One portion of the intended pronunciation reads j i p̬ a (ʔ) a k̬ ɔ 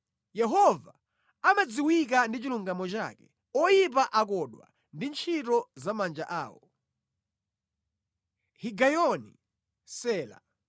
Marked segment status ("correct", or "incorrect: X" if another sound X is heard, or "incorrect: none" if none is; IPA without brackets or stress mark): correct